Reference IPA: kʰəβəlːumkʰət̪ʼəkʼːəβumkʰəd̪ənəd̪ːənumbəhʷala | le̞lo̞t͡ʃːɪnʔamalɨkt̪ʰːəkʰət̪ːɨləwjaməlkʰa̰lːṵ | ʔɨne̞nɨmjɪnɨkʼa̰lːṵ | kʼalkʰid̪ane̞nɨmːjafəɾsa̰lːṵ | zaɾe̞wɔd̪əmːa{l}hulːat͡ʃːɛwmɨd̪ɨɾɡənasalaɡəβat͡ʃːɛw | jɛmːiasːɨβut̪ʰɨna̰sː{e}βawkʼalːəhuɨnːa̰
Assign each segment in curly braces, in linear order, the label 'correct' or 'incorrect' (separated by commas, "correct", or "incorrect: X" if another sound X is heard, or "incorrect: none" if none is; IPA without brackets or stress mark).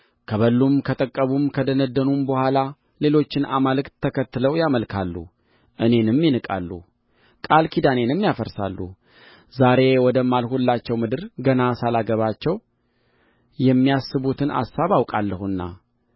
correct, incorrect: a